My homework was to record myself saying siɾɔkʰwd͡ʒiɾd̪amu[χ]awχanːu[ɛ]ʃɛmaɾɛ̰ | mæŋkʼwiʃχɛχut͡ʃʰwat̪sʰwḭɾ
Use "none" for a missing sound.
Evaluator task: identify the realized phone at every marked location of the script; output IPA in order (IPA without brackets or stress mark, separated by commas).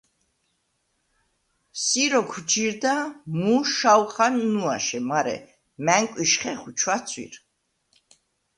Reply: ʃ, a